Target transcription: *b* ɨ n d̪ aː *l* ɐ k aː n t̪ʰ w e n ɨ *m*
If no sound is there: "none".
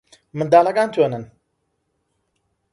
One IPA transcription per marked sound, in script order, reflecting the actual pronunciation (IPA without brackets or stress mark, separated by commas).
m, l, n